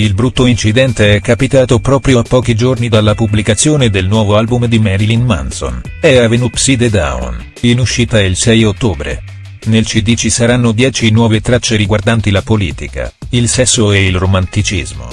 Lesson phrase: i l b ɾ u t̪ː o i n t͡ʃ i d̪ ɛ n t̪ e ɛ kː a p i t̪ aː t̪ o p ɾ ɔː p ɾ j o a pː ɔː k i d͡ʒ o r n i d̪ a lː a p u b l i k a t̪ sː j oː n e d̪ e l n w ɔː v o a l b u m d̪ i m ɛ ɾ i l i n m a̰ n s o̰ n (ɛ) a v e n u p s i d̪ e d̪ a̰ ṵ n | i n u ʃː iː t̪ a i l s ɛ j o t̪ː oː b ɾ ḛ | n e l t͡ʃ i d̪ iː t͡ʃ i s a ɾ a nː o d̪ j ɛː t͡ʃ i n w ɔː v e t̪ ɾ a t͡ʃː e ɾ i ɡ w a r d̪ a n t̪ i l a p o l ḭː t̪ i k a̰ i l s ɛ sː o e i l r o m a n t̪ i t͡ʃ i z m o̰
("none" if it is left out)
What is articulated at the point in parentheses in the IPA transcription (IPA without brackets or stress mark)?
ɛ